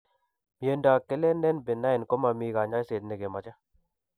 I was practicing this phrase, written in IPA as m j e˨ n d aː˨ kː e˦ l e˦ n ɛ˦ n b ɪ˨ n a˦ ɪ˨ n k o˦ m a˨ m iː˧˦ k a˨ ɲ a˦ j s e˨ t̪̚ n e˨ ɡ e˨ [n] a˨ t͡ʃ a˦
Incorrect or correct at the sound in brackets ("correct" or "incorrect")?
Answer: incorrect